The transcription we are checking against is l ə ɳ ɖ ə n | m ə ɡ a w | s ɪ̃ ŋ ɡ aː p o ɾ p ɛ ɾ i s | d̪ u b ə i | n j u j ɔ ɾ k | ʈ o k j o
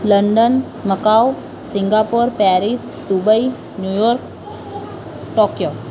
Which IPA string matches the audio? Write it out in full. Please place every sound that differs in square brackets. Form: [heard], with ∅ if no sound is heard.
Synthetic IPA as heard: l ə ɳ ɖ ə n | m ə [k] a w | s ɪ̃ ŋ ɡ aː p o ɾ p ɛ ɾ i s | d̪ u b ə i | n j u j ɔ ɾ k | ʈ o k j o